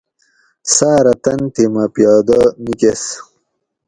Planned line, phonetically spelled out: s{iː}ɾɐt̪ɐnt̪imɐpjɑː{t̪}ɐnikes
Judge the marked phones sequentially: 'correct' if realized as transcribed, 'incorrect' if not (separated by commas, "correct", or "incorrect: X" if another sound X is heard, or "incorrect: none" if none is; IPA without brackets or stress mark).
incorrect: aː, incorrect: d̪